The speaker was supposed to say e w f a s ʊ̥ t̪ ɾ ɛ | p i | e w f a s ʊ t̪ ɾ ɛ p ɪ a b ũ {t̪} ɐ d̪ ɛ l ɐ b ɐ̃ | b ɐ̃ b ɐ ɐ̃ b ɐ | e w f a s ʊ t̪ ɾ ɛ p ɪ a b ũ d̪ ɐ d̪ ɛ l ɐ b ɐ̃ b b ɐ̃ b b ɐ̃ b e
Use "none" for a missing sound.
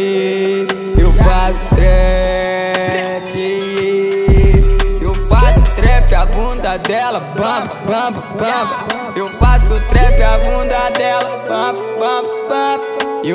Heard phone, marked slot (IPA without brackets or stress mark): d̪